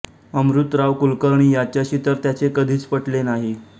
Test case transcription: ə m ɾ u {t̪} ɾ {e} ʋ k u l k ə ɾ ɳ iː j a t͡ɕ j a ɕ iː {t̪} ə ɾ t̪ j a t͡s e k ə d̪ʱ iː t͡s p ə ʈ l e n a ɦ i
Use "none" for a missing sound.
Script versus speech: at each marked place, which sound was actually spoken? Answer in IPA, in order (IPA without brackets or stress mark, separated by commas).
t̪, a, t̪